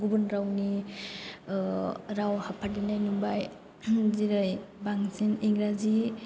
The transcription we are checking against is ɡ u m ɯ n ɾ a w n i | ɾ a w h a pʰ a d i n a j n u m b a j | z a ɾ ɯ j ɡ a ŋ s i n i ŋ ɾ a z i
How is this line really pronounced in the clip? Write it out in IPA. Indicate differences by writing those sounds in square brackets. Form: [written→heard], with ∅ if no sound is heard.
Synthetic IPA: ɡ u [m→b] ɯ n ɾ a w n i | ɾ a w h a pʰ a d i n a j n u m b a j | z [a→i] ɾ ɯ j [ɡ→b] a ŋ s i n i ŋ ɾ a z i

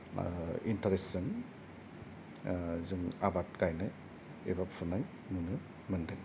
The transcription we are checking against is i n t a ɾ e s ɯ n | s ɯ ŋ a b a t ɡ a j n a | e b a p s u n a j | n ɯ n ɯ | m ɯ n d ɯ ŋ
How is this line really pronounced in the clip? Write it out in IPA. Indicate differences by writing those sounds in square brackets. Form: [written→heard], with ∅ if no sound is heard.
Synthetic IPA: i n t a ɾ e s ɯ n | [s→z] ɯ ŋ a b a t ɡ a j n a | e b a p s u n a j | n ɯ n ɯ | m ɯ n d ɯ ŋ

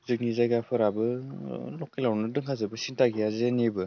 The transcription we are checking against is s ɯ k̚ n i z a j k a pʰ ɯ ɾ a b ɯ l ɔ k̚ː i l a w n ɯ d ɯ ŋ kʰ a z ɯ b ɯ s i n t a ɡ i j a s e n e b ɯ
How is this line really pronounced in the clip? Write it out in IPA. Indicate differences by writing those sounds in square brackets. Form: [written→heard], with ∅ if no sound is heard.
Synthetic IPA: [s→z] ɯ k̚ n i z a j [k→ɡ] a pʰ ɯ ɾ a b ɯ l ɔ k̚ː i l a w n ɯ d ɯ ŋ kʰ a z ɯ b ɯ s i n t a ɡ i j a [s→z] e n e b ɯ

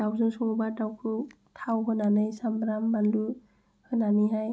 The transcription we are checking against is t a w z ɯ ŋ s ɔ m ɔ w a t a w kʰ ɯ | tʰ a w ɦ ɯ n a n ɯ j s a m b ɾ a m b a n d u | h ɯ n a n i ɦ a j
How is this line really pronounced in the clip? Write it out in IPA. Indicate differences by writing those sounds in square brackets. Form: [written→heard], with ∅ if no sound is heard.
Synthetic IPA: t a w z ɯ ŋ s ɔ [m→ŋ] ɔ [w→b] a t a w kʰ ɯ | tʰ a w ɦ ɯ n a n ɯ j s a m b ɾ a m b a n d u | h ɯ n a n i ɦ a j

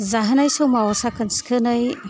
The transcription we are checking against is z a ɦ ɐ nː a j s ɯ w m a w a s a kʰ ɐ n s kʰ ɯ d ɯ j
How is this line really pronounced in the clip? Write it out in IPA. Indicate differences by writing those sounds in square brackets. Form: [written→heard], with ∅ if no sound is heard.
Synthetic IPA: z a ɦ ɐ [nː→n] a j s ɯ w m a w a s a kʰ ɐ n s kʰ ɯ [d→n] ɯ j

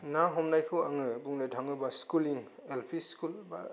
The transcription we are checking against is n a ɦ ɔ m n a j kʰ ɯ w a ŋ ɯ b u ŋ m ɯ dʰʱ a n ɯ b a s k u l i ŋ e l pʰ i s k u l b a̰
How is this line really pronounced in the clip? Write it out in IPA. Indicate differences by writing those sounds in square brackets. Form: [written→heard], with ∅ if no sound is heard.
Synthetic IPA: n a ɦ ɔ m n a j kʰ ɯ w a ŋ ɯ b u ŋ [m→n] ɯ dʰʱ a [n→ŋ] ɯ b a s k u l i ŋ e l pʰ i s k u l b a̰

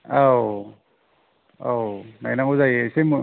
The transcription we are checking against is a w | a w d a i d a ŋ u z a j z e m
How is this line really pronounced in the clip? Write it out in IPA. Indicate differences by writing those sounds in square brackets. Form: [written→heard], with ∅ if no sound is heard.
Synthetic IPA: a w | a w [d→n] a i [d→n] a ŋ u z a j [z→s] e m

